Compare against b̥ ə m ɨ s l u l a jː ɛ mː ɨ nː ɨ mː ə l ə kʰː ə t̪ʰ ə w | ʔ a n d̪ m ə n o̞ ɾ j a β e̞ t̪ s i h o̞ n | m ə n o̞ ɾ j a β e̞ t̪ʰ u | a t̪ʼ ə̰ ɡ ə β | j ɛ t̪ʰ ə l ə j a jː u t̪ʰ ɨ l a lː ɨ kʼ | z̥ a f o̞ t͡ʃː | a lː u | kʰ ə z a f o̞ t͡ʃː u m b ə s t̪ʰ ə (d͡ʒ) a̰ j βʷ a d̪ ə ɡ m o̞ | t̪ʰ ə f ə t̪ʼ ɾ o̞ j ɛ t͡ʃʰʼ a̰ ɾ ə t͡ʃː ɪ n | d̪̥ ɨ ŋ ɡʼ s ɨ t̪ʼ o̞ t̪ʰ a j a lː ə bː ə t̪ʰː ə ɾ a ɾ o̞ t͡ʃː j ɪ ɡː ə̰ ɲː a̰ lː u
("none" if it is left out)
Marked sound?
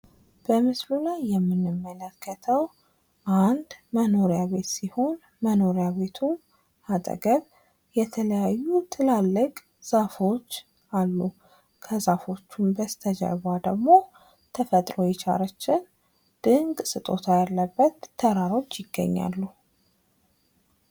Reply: d͡ʒ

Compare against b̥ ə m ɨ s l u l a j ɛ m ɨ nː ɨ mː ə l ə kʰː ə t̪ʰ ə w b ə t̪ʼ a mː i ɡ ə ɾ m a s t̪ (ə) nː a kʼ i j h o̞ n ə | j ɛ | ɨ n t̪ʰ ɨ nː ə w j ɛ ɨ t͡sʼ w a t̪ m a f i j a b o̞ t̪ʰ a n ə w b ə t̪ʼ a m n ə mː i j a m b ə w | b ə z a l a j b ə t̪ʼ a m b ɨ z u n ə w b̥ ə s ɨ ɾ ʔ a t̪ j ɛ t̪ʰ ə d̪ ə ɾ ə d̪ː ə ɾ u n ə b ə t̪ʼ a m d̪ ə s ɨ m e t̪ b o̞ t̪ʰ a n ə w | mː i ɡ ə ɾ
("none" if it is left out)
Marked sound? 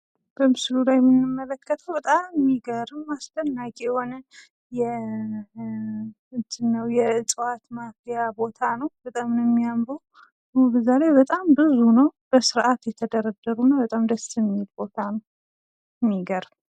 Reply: ə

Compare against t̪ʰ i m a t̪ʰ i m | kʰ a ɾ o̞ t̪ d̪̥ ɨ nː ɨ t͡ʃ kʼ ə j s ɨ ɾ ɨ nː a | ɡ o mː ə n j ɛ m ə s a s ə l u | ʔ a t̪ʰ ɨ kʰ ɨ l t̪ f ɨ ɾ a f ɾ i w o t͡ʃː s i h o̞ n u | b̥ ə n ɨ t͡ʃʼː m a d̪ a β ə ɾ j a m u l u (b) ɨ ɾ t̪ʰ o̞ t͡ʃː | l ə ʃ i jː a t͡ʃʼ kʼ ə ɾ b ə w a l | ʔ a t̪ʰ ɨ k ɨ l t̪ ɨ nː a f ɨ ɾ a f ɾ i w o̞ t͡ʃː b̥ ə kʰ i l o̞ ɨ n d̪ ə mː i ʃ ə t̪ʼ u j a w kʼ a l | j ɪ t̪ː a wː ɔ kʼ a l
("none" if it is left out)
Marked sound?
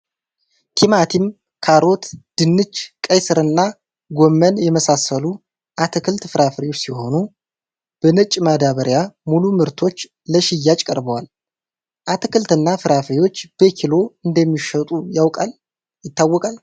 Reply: m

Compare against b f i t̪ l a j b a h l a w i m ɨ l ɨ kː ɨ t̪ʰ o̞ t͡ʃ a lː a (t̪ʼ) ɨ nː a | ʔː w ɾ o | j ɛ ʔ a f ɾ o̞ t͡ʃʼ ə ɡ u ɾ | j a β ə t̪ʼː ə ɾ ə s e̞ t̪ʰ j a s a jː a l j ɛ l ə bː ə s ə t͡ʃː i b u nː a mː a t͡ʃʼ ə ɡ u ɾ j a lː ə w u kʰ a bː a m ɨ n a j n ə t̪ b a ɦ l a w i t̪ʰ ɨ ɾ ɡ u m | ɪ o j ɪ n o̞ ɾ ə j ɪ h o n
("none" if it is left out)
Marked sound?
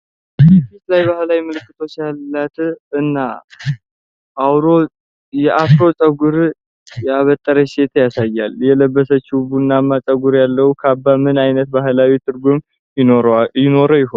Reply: t̪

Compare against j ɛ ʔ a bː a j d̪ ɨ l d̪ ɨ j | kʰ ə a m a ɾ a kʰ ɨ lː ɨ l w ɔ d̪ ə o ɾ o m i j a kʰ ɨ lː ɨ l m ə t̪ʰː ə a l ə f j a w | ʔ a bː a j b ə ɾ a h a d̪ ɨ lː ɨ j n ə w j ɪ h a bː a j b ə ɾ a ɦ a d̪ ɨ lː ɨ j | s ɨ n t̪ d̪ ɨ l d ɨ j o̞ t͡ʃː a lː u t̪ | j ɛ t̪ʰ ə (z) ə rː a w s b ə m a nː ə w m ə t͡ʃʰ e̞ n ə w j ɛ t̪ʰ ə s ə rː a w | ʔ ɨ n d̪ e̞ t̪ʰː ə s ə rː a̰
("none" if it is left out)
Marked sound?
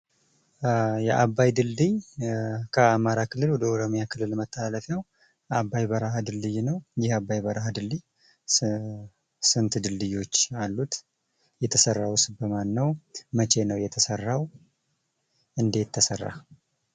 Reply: s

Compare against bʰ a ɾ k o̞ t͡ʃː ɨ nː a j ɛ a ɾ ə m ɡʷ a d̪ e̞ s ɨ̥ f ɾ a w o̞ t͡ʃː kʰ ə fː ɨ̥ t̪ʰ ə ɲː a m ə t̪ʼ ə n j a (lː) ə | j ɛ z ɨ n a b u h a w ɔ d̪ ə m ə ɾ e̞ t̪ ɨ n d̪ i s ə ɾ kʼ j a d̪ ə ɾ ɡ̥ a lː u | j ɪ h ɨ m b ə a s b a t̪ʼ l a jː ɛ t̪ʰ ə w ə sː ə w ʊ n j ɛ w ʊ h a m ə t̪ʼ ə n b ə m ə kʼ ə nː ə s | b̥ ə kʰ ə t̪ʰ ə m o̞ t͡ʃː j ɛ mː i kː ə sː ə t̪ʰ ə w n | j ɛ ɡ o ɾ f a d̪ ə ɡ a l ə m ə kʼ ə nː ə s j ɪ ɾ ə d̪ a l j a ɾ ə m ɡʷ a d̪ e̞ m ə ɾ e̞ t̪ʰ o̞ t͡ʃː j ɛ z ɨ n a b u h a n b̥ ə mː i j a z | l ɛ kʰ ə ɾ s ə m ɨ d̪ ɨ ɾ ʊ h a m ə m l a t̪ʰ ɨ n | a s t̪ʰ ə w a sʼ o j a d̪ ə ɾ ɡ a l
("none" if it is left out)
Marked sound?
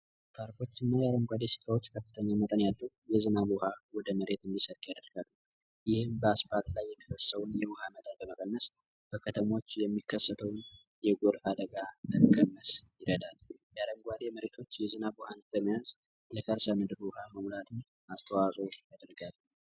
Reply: lː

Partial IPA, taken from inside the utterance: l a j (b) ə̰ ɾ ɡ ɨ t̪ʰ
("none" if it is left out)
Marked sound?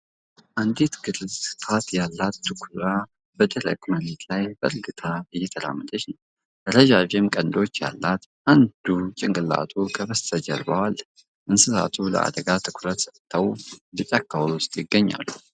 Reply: b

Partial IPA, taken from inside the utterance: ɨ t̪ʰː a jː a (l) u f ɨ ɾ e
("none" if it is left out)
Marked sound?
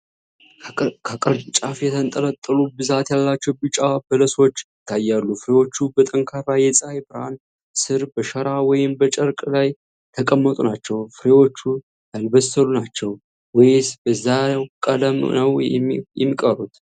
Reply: lː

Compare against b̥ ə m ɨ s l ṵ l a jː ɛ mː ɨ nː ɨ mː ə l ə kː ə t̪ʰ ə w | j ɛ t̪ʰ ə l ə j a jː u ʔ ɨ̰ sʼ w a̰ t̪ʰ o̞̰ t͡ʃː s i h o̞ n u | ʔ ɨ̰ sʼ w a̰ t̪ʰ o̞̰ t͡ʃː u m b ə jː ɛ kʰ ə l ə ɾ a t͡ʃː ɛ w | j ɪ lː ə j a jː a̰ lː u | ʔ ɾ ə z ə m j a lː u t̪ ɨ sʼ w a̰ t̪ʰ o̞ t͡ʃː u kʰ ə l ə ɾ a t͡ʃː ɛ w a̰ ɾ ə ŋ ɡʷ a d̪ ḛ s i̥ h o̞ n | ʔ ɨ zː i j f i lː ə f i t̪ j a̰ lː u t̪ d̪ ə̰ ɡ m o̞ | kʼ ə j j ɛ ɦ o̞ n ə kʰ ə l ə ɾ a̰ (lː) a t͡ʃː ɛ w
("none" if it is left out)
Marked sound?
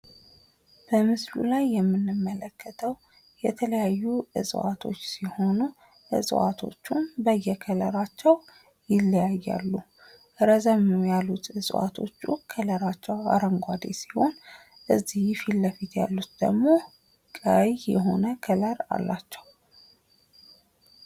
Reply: lː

